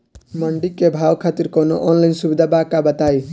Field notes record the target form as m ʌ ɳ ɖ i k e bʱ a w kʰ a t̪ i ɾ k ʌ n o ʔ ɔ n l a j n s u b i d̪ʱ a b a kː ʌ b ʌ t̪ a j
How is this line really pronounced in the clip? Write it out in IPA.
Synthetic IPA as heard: m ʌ ɳ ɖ i k e bʱ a w kʰ a t̪ i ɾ k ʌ n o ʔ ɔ n l a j n s u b i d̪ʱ a b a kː a b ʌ t̪ a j